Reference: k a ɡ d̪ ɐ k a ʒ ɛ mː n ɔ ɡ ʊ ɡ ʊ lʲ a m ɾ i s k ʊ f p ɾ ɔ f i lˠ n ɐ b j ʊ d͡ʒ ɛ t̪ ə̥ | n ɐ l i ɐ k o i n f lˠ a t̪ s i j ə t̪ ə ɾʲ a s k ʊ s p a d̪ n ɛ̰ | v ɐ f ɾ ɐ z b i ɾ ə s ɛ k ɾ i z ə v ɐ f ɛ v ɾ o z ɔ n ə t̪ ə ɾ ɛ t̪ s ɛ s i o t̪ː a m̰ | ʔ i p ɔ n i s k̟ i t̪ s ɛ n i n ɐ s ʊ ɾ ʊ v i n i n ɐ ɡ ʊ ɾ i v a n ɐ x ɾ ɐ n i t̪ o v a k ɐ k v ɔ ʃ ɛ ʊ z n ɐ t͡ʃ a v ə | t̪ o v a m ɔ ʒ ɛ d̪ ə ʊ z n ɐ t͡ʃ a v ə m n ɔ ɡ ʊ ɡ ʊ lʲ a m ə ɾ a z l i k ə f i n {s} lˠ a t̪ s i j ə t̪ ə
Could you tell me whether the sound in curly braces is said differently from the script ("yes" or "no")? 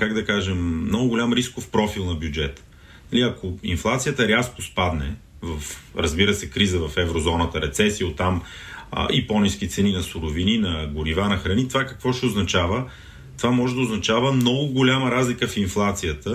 yes